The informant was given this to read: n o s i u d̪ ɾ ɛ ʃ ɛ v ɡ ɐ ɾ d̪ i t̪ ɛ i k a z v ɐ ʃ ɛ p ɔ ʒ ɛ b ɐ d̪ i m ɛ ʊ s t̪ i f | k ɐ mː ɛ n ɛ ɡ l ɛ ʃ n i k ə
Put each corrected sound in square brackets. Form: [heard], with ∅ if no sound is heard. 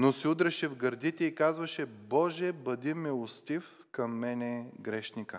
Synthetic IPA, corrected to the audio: n o s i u d̪ ɾ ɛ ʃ ɛ v ɡ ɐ ɾ d̪ i t̪ ɛ i k a z v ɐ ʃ ɛ [b] ɔ ʒ ɛ b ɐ d̪ i m ɛ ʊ s t̪ i f | k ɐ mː ɛ n ɛ ɡ [ɾ] ɛ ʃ n i k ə